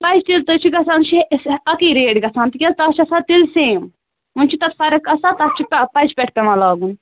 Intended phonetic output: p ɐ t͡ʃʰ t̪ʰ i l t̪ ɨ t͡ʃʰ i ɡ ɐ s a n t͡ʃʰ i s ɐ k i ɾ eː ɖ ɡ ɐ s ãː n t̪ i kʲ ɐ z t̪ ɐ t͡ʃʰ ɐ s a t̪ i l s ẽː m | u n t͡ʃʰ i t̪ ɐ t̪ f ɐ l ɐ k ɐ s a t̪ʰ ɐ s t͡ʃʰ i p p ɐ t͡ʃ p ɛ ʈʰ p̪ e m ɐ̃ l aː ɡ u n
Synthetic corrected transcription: p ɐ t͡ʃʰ t̪ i l t̪ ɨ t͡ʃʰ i ɡ ɐ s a n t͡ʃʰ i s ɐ k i ɾ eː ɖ ɡ ɐ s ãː n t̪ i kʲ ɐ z t̪ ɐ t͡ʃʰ ɐ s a t̪ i l s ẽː m | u n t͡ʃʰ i t̪ ɐ t̪ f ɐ ɾ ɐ k ɐ s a t̪ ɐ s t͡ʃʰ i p p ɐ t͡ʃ p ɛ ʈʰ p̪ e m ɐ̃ l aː ɡ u n